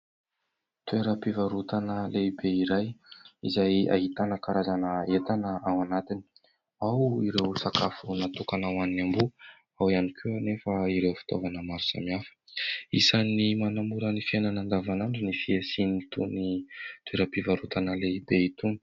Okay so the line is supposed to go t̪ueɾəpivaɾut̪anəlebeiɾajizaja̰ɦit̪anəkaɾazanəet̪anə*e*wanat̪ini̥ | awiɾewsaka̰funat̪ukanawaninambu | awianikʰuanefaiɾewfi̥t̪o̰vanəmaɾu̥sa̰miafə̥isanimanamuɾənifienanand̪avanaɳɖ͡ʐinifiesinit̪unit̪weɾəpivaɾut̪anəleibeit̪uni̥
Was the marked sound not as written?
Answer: yes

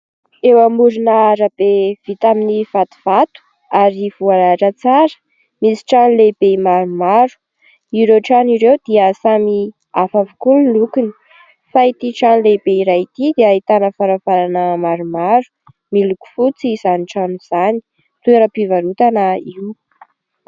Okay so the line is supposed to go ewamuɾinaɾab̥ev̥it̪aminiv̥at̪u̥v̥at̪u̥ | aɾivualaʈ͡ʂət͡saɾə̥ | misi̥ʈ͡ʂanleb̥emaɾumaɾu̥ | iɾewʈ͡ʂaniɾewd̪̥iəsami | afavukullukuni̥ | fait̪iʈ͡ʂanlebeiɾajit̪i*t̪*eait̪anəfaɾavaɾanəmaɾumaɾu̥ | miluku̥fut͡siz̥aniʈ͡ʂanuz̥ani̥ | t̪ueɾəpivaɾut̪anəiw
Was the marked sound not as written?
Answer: yes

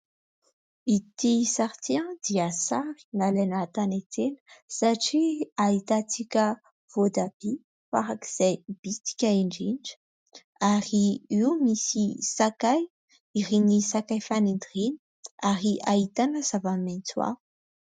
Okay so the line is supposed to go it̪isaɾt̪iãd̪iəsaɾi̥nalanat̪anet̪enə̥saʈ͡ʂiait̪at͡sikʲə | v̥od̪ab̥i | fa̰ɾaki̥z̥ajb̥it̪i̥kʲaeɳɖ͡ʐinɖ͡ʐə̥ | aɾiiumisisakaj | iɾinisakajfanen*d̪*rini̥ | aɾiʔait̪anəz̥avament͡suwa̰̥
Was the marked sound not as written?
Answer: no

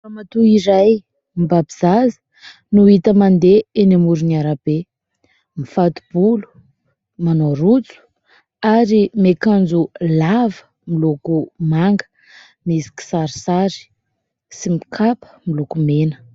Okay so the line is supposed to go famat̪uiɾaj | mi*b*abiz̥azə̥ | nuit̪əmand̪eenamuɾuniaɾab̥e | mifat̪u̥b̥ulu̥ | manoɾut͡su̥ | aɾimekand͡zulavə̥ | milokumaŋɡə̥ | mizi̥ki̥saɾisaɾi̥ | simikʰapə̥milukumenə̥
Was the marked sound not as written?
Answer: no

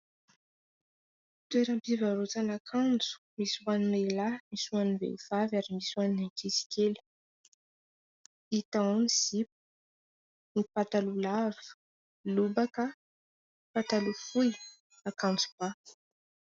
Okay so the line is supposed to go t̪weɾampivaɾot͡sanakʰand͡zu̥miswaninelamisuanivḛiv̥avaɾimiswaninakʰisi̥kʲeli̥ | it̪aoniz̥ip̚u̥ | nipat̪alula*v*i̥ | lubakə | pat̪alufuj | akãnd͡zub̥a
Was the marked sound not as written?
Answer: no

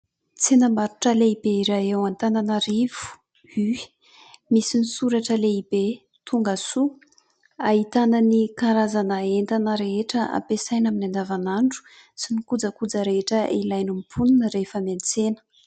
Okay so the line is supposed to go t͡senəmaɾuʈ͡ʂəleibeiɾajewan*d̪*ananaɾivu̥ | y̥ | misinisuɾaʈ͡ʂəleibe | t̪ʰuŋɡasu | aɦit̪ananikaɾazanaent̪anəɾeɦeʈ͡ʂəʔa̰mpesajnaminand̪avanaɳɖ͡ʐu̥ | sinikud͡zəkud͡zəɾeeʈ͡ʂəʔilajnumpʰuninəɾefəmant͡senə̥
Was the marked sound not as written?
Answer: yes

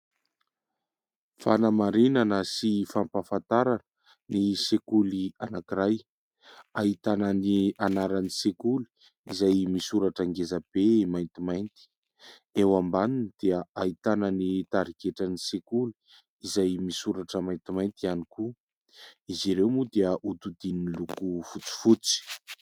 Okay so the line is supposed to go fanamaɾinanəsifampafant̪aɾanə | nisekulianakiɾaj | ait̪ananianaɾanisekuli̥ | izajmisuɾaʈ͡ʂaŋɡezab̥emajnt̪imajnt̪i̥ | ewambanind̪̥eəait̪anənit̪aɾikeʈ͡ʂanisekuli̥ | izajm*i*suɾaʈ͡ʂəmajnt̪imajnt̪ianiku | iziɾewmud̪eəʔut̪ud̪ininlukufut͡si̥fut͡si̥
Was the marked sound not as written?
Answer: no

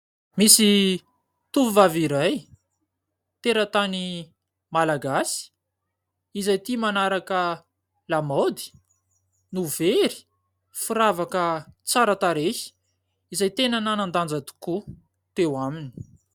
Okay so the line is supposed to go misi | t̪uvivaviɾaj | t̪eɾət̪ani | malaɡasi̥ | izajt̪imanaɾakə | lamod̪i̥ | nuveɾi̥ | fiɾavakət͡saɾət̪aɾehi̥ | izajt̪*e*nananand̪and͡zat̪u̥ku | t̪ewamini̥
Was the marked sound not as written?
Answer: no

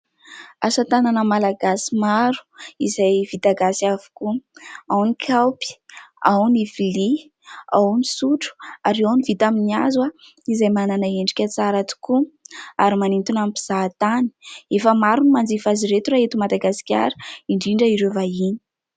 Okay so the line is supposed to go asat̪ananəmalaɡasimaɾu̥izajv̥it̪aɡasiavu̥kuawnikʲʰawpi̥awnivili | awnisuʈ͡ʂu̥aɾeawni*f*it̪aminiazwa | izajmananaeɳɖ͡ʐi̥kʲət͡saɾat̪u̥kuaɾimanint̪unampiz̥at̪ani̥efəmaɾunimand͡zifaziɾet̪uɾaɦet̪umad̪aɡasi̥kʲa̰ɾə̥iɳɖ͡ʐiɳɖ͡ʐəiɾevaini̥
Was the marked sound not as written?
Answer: yes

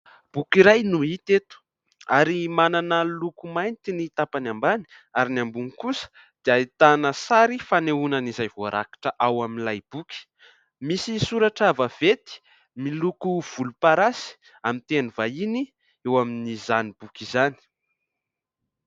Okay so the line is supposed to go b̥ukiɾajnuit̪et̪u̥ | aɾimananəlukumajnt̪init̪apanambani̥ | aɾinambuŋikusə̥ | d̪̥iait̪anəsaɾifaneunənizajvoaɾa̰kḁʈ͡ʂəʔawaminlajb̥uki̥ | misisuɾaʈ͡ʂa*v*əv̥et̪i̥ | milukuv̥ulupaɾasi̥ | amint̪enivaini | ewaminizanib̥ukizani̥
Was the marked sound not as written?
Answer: no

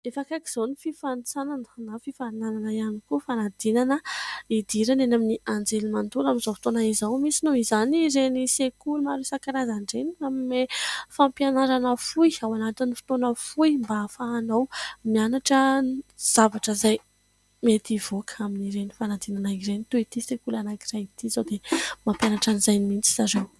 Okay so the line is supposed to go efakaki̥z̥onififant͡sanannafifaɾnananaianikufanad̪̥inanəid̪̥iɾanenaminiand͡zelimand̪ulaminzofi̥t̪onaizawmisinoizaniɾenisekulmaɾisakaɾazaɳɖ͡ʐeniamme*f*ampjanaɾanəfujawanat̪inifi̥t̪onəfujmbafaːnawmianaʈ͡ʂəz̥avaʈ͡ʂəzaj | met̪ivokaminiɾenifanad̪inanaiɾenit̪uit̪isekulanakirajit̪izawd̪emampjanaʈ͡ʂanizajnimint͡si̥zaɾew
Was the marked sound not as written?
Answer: no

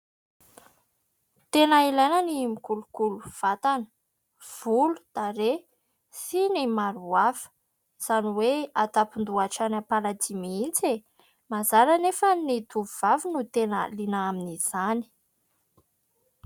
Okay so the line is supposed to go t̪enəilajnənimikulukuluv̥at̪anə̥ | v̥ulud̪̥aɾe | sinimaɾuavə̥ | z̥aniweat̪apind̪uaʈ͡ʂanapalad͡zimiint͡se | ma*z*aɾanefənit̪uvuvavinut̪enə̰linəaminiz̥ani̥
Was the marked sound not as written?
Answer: no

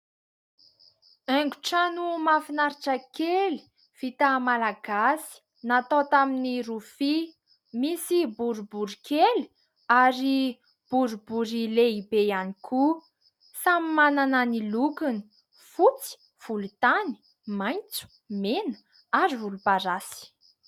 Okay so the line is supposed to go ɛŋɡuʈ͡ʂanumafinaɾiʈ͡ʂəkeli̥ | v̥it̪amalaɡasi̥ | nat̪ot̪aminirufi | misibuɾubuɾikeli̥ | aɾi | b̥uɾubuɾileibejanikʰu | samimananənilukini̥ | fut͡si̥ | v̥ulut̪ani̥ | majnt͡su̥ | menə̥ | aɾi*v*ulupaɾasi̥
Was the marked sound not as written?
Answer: no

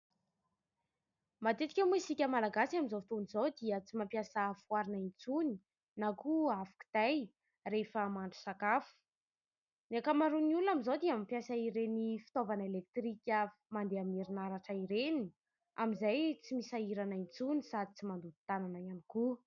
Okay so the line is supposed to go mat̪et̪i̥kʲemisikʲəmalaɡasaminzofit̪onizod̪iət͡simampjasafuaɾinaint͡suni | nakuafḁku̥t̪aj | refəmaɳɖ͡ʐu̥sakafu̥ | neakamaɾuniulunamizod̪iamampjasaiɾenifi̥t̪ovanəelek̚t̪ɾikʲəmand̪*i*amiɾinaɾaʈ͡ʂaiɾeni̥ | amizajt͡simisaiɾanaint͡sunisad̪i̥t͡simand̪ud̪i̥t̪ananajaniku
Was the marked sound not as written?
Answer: yes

